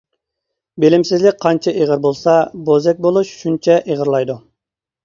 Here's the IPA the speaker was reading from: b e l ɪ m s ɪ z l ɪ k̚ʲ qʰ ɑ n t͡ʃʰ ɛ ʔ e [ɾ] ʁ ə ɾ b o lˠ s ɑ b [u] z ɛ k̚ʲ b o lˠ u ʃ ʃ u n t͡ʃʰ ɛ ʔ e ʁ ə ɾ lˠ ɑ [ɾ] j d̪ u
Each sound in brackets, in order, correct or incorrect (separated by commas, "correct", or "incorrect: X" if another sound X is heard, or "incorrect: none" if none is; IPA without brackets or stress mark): incorrect: none, incorrect: o, incorrect: none